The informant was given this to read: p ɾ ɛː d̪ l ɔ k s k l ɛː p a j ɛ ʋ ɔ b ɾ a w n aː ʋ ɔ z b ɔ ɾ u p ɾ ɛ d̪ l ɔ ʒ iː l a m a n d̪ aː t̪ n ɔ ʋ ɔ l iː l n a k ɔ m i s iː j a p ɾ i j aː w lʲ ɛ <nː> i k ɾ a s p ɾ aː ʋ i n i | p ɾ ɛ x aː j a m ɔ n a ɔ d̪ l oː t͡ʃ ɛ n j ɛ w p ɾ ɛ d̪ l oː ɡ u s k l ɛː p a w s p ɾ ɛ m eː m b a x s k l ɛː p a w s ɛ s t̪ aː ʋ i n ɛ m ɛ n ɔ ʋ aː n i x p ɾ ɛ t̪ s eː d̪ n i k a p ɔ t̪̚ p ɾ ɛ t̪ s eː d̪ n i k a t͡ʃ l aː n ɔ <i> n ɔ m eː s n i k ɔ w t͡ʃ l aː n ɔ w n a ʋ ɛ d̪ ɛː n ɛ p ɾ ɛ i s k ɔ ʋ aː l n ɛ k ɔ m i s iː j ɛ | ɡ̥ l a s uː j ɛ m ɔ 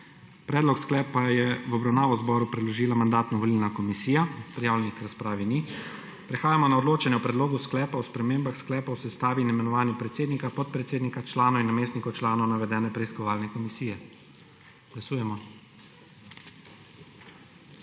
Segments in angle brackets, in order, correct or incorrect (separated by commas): incorrect, correct